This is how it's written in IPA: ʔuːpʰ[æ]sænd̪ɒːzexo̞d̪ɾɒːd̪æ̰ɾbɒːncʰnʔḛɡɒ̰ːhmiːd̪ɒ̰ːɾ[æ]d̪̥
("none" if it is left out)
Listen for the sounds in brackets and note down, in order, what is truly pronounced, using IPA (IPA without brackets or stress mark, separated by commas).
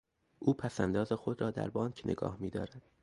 æ, æ